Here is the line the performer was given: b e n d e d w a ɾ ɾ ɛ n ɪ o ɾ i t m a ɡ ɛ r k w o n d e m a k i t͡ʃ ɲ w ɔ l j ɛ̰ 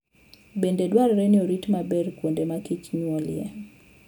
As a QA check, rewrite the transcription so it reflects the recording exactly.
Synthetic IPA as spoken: b e n d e d w a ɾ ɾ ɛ n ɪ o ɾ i t m a b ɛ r k w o n d e m a k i t͡ʃ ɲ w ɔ l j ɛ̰